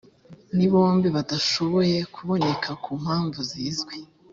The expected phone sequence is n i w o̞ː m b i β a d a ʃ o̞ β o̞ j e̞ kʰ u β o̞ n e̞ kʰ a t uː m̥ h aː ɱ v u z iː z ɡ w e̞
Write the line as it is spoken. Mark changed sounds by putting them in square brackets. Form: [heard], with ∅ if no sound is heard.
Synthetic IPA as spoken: n i [β] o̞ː m b i β a d a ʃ o̞ β o̞ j e̞ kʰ u β o̞ n e̞ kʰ a [k] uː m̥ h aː ɱ v u z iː z ɡ w e̞